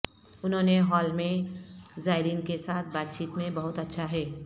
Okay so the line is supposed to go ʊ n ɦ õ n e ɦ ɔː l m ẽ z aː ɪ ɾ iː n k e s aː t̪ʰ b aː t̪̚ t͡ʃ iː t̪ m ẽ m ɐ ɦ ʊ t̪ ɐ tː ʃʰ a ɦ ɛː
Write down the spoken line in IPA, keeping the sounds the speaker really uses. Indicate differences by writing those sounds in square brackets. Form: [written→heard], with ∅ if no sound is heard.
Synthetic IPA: ʊ n ɦ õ n e ɦ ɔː l m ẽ z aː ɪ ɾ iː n k e s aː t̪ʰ b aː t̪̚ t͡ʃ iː t̪ m ẽ [m→b] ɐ ɦ ʊ t̪ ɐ tː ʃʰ a ɦ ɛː